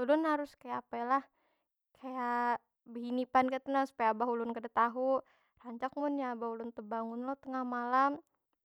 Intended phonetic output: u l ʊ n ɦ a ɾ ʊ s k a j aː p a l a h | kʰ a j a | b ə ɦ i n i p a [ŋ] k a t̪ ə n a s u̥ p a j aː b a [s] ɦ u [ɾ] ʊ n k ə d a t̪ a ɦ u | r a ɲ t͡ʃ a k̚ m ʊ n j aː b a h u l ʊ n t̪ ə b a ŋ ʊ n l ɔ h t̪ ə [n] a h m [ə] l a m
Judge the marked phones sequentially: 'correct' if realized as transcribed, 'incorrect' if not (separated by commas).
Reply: incorrect, incorrect, incorrect, incorrect, incorrect